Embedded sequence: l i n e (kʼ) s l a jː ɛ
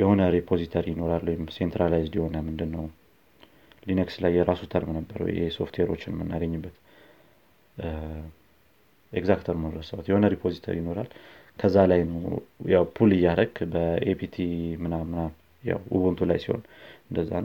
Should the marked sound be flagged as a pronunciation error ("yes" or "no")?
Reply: yes